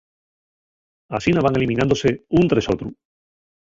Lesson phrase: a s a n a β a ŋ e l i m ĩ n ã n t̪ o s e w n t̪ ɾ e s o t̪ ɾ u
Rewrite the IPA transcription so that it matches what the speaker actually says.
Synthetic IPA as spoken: a s i n a β a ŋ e l i m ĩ n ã n d̪ o s e u n t̪ ɾ e s o t̪ ɾ u